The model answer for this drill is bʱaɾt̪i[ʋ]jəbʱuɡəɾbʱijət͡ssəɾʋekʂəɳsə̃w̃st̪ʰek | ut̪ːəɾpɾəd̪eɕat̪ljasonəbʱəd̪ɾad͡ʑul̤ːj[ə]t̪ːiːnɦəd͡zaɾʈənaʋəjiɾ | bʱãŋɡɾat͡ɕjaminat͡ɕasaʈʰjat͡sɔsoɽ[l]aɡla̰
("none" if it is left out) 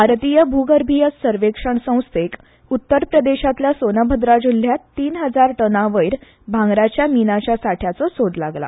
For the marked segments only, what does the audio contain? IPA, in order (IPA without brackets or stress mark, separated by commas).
none, a, l